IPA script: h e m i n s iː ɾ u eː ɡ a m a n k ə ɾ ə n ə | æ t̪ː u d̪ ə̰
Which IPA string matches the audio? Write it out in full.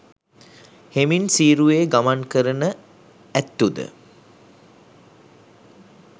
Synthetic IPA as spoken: h e m i n s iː ɾ u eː ɡ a m a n k ə ɾ ə n ə | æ t̪ː u d̪ ə̰

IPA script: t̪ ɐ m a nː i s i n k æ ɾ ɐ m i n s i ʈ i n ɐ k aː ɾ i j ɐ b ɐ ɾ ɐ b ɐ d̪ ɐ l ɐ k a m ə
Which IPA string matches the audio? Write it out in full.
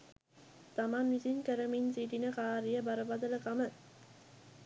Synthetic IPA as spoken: t̪ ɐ m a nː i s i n k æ ɾ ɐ m i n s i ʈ i n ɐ k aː ɾ i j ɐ b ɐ ɾ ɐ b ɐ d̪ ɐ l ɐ k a m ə

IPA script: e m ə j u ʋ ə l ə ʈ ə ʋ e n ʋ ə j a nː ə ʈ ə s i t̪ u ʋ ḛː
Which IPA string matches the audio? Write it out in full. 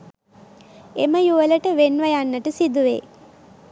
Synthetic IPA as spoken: e m ə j u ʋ ə l ə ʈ ə ʋ e n ʋ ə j a nː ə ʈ ə s i d̪ u ʋ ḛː

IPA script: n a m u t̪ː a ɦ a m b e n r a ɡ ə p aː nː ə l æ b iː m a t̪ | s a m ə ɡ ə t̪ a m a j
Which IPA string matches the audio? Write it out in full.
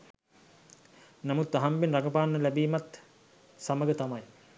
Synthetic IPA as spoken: n a m u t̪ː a ɦ a m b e n r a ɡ ə p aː nː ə l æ b iː m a t̪ | s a m ə ɡ ə t̪ a m a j

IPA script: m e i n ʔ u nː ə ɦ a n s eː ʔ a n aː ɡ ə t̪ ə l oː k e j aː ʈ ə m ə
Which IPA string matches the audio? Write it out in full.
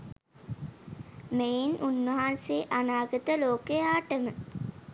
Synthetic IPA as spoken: m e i n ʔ u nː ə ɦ a n s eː ʔ a n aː ɡ ə t̪ ə l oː k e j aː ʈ ə m ə

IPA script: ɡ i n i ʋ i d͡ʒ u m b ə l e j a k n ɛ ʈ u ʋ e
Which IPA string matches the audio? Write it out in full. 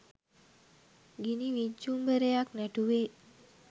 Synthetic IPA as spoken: ɡ i n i ʋ i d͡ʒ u m b ə ɾ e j a k n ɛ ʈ u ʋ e

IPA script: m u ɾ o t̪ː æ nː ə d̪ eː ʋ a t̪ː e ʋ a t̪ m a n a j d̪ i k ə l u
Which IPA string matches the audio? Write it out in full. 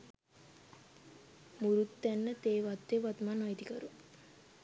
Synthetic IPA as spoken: m u ɾ u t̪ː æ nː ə t̪ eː ʋ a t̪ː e ʋ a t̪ m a n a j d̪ i k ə ɾ u

